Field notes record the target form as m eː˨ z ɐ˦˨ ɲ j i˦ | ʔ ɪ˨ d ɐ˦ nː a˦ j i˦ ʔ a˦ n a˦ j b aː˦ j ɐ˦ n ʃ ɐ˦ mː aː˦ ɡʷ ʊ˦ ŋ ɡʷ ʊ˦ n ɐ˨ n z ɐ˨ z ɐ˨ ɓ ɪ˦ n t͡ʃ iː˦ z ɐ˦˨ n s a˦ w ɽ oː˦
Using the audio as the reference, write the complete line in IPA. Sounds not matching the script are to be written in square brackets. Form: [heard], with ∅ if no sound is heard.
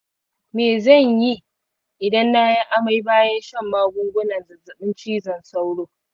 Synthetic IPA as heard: m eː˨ z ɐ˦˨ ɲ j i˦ | ʔ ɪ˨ d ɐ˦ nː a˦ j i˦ ʔ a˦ [m] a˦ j b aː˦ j ɐ˦ n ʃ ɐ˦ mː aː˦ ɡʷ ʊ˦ ŋ ɡʷ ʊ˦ n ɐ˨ n z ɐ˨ z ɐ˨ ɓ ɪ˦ n t͡ʃ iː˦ z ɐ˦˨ n s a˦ w ɽ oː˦